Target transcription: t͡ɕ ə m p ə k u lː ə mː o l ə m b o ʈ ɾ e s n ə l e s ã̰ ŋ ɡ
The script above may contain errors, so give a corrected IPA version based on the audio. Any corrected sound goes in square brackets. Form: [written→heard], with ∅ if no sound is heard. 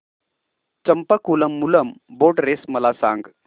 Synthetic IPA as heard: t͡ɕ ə m p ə k u [lː→l] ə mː [o→u] l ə m b o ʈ ɾ e s [n→m] ə l [e→a] s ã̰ ŋ ɡ